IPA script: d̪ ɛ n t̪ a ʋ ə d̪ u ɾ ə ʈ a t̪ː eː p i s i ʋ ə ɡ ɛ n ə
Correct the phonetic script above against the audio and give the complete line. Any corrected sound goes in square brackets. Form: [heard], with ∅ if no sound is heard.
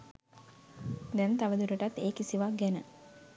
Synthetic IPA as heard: d̪ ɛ n t̪ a ʋ ə d̪ u ɾ ə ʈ a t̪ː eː [k] i s i ʋ [a] ɡ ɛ n ə

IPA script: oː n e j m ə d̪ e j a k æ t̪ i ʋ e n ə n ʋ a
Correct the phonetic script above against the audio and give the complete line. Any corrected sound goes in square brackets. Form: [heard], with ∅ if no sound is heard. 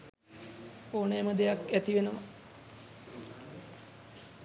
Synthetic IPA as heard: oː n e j m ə d̪ e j a k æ t̪ i ʋ e n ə [∅] ʋ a

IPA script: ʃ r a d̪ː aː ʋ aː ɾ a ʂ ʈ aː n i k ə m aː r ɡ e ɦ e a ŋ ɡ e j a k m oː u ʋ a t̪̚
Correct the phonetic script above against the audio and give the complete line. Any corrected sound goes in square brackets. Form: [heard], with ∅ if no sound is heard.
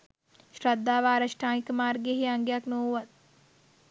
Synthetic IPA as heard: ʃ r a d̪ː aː ʋ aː ɾ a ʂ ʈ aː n i k ə m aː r ɡ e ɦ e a ŋ ɡ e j a k [n] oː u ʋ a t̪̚

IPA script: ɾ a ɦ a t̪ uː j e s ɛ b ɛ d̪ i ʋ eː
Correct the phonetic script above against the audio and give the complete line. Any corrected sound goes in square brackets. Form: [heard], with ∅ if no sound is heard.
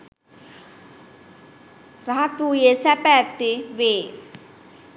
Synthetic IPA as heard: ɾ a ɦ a t̪ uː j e s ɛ [p] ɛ [t̪] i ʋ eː

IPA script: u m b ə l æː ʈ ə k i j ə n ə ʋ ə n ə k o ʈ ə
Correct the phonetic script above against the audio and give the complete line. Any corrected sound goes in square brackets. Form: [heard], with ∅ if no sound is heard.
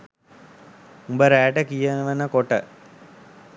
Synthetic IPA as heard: u m b ə [ɾ] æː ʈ ə k i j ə n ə ʋ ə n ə k o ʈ ə

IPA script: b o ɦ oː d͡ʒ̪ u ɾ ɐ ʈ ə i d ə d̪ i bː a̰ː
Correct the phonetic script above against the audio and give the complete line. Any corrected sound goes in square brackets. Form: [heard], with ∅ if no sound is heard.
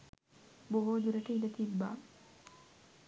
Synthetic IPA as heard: b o ɦ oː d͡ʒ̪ u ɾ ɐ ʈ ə i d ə [t̪] i bː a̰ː

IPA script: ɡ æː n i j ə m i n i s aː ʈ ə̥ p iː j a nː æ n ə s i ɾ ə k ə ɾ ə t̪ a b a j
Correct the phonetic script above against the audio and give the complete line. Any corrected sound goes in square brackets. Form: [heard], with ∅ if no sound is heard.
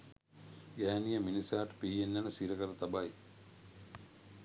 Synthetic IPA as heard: ɡ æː n i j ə m i n i s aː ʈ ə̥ p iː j [e] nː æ n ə s i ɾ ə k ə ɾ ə t̪ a b a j

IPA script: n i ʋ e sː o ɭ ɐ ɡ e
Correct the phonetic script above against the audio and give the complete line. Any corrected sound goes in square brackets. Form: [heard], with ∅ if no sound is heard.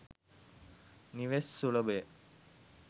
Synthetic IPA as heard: n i ʋ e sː [u] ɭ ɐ [b] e

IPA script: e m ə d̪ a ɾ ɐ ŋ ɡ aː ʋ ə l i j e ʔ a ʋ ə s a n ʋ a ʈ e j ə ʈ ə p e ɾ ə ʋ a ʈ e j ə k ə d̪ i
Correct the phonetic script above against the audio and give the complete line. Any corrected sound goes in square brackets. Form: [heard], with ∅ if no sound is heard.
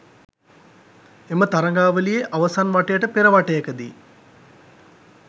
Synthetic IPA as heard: e m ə [t̪] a ɾ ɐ ŋ ɡ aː ʋ ə l i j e ʔ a ʋ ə s a n ʋ a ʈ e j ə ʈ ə p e ɾ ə ʋ a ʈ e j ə k ə d̪ i

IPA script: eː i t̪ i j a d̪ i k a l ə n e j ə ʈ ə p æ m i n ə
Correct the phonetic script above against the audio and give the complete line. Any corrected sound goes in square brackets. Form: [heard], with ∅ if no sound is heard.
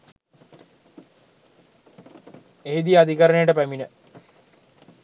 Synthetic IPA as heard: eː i [d̪] i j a d̪ i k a [ɾ] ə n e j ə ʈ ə p æ m i n ə

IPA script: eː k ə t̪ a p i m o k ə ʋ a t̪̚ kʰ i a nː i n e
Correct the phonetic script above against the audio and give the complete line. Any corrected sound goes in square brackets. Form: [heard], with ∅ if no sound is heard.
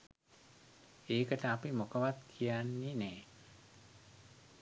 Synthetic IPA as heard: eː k ə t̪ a p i m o k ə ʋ a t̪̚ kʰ i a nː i n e

